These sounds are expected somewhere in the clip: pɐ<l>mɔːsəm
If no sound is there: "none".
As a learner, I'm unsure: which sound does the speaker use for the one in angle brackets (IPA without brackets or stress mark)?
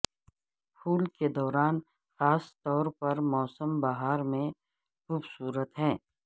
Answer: ɾ